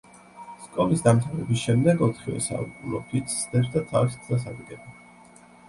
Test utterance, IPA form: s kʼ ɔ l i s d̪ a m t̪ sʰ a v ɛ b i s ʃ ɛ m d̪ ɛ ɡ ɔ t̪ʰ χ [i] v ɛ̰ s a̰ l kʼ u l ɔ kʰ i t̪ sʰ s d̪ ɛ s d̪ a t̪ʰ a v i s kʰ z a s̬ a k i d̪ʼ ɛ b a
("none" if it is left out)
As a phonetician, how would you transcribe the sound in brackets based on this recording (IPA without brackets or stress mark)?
i